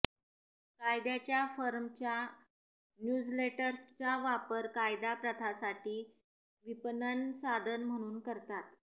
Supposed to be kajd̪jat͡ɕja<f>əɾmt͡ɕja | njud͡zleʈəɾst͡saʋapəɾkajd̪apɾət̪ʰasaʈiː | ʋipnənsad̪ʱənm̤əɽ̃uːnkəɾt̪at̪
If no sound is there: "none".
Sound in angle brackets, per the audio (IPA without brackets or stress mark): f